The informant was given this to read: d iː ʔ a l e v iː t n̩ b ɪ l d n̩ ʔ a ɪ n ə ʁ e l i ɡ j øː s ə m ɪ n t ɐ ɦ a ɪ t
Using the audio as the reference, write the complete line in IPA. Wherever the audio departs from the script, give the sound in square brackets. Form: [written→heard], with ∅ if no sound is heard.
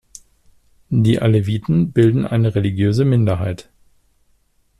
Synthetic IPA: d iː ʔ a l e v iː t n̩ b ɪ l d n̩ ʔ a ɪ n ə ʁ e l i ɡ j øː [s→z] ə m ɪ n [t→d] ɐ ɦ a ɪ t